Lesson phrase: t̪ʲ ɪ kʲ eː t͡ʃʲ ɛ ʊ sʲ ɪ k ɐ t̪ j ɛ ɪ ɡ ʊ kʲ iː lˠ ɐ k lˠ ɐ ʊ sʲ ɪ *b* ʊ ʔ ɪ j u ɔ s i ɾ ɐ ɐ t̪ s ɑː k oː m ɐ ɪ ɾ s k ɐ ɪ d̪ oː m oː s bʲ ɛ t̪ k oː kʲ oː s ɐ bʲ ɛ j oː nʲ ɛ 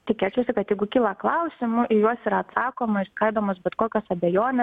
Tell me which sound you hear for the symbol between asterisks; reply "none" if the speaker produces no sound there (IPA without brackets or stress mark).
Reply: m